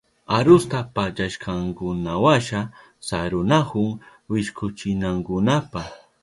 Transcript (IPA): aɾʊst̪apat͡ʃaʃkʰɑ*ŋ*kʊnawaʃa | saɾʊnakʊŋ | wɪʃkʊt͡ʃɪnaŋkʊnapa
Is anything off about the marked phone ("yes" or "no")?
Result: no